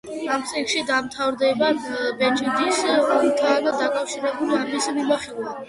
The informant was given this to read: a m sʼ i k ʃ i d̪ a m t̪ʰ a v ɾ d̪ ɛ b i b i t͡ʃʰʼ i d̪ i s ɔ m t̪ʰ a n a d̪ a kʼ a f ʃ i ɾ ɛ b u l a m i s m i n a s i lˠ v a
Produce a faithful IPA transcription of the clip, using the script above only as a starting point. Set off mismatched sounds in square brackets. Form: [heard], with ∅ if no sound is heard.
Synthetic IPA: a m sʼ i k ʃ i d̪ a m t̪ʰ a v ɾ d̪ ɛ b [a] b [ɛ] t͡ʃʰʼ i d̪ i s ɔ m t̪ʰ a n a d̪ a kʼ a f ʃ i ɾ ɛ b u l a m i s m i [m] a [χ] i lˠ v a